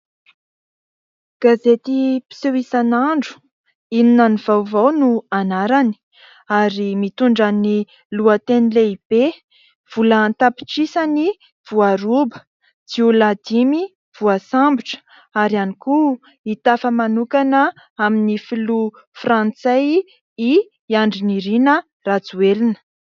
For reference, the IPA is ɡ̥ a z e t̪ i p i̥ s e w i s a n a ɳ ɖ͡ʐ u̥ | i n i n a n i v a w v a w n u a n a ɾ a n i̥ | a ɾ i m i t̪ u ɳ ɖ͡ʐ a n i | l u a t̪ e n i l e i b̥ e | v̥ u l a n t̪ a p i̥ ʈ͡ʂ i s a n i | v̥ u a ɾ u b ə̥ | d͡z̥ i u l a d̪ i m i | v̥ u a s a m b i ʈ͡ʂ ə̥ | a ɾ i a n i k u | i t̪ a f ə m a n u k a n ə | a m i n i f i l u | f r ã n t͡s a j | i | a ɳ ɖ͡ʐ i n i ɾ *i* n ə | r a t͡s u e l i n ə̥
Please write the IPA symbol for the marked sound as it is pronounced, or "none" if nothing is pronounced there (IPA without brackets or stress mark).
i